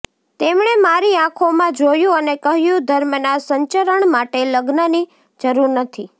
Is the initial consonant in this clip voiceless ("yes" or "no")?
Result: yes